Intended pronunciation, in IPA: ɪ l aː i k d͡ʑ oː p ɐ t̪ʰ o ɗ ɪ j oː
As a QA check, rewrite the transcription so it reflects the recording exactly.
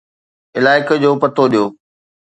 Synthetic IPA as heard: ɪ l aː ɪ k d͡ʑ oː p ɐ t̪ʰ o ɗ i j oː